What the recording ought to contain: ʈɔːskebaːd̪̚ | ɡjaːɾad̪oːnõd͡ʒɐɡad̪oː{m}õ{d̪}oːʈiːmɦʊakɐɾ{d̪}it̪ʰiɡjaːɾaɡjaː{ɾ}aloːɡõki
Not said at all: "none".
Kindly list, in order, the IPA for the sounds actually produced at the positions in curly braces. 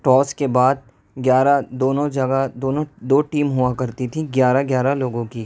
n, d̪, t̪, ɾ

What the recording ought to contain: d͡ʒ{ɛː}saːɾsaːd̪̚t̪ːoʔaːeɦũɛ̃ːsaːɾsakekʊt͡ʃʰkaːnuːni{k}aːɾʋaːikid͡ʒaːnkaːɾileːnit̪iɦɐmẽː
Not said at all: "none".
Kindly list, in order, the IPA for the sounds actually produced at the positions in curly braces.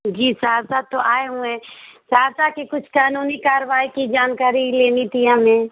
iː, k

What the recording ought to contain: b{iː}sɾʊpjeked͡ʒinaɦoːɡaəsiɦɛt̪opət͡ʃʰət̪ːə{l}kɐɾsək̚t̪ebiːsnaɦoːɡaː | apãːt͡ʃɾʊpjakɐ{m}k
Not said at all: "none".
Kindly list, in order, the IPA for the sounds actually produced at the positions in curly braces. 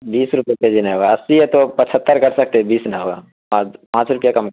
iː, ɾ, m

